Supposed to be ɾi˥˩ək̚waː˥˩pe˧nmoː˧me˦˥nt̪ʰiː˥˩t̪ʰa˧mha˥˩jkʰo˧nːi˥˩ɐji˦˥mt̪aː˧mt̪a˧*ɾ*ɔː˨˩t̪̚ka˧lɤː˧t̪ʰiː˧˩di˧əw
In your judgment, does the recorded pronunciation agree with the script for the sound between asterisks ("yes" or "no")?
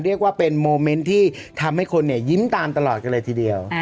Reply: no